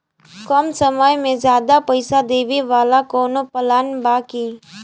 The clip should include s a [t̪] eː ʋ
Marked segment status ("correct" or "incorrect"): incorrect